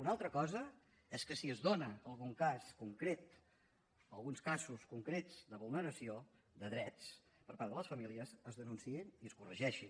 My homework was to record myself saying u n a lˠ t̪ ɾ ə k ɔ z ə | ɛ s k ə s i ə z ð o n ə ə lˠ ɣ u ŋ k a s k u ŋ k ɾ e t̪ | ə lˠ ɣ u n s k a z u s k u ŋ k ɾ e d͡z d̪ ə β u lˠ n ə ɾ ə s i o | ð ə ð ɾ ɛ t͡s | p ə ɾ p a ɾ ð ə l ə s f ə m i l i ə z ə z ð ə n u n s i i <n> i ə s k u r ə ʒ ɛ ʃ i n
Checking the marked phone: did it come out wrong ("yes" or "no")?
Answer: no